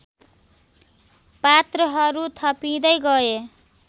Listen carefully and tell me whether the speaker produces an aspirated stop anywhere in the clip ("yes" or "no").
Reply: yes